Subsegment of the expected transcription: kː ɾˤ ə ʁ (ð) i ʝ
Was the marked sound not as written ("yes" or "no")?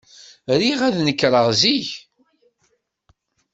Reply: yes